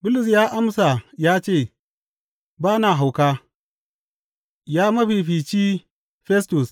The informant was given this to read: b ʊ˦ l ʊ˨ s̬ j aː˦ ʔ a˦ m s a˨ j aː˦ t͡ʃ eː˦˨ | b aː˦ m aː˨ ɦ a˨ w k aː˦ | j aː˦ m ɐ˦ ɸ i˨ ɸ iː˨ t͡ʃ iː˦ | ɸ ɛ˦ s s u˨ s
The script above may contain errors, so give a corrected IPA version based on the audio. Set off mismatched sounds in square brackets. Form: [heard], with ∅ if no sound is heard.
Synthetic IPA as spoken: b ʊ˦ l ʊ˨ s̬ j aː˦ ʔ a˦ m s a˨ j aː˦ t͡ʃ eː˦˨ | b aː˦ [n] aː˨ ɦ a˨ w k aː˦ | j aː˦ m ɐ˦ ɸ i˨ ɸ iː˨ t͡ʃ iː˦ | ɸ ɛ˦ s [t] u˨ s